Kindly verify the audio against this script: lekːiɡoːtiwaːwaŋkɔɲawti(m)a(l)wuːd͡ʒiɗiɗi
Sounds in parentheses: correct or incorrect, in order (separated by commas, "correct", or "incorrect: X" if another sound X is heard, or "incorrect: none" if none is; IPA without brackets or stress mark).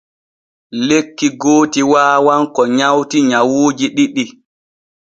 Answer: incorrect: ɲ, incorrect: none